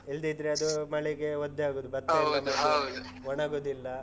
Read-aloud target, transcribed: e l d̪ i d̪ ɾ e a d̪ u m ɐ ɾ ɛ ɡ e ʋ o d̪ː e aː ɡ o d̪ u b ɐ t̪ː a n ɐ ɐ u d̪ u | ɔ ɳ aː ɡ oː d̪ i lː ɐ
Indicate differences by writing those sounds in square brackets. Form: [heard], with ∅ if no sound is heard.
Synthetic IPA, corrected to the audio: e l d̪ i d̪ ɾ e [ɐ] d̪ u m ɐ [ɭ] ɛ ɡ e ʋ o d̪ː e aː ɡ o d̪ u b ɐ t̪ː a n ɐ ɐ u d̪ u | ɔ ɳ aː ɡ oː d̪ i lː ɐ